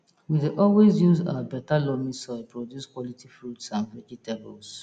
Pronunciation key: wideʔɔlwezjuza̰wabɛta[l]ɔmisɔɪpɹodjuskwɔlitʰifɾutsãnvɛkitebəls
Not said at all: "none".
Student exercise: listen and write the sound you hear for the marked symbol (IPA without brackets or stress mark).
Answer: l